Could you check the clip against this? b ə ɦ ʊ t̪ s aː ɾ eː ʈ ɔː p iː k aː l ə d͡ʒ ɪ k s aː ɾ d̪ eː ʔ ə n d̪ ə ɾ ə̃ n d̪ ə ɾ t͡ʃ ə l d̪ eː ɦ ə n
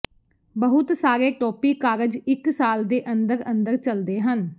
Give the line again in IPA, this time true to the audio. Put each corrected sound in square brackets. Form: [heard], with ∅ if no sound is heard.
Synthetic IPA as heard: b ə ɦ ʊ t̪ s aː ɾ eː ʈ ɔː p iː k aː [ɾ] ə d͡ʒ ɪ k s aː [l] d̪ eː ʔ ə n d̪ ə ɾ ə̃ n d̪ ə ɾ t͡ʃ ə l d̪ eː ɦ ə n

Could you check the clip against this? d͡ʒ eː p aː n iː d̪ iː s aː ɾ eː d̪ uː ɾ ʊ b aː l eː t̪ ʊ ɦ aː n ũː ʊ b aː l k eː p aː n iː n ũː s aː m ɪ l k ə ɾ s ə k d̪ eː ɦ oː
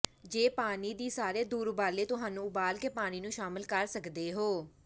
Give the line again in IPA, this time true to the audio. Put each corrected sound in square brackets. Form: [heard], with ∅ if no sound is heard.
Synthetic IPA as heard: d͡ʒ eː p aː n iː d̪ iː s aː ɾ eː d̪ uː ɾ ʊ b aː l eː t̪ ʊ ɦ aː n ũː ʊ b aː l k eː p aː n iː n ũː [ʃ] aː m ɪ l k ə ɾ s ə k d̪ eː ɦ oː

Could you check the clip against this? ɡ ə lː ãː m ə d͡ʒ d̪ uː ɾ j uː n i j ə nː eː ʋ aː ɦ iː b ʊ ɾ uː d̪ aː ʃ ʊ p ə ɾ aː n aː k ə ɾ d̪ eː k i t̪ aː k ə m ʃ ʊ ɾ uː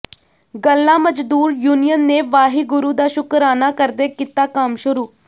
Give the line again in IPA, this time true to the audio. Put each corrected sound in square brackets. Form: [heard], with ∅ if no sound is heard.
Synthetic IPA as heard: ɡ ə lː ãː m ə d͡ʒ d̪ uː ɾ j uː n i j ə nː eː ʋ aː ɦ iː [ɡ] ʊ ɾ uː d̪ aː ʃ ʊ [k] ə ɾ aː n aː k ə ɾ d̪ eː k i t̪ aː k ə m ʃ ʊ ɾ uː

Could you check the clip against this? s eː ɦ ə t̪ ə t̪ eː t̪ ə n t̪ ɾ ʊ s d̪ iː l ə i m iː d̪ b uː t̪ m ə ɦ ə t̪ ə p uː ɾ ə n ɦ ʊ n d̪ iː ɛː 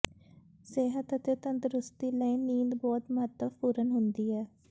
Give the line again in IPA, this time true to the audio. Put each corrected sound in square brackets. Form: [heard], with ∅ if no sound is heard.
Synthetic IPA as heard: s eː ɦ ə t̪ ə t̪ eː t̪ ə n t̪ ɾ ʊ s [t̪] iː l ə i [n] iː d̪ b [ɔː] t̪ m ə ɦ ə t̪ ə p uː ɾ ə n ɦ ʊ n d̪ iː ɛː

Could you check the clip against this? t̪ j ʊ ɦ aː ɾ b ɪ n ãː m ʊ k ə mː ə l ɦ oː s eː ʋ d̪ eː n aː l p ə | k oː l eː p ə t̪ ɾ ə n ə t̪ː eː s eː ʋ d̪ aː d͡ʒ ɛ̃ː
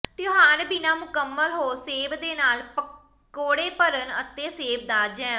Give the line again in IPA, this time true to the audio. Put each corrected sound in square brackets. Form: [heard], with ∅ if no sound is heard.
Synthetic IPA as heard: t̪ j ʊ ɦ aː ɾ b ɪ n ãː m ʊ k ə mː ə l ɦ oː s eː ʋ d̪ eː n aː l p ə | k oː [ɽ] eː p ə [∅] ɾ ə n ə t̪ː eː s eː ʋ d̪ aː d͡ʒ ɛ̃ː

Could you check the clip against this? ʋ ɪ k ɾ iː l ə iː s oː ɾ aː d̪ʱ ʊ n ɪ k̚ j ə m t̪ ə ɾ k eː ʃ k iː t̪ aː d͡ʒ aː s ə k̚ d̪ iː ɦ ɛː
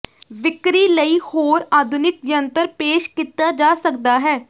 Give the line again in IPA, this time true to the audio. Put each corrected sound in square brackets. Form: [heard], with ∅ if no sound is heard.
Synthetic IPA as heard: ʋ ɪ k ɾ iː l ə iː [h] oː ɾ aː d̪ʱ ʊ n ɪ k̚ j ə [n] t̪ ə ɾ [p] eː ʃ k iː t̪ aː d͡ʒ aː s ə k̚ d̪ [aː] ɦ ɛː

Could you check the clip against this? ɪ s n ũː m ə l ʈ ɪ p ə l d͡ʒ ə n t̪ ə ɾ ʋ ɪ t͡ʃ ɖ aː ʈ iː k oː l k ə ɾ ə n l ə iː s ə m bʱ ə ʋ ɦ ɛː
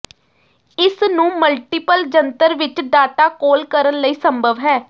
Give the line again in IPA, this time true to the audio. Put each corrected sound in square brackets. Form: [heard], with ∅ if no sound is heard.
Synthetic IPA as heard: ɪ s n ũː m ə l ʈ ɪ p ə l d͡ʒ ə n t̪ ə ɾ ʋ ɪ t͡ʃ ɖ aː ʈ [aː] k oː l k ə ɾ ə n l ə iː s ə m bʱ ə ʋ ɦ ɛː

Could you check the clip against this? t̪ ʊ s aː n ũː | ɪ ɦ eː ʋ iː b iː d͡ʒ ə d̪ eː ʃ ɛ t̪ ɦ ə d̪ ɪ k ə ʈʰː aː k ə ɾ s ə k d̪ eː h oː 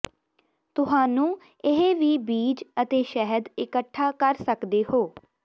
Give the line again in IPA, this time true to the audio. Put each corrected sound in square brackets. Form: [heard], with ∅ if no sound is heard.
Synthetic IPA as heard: t̪ ʊ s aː n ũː | ɪ ɦ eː ʋ iː b iː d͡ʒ ə [t̪] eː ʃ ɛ [∅] ɦ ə d̪ ɪ k ə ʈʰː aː k ə ɾ s ə k d̪ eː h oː

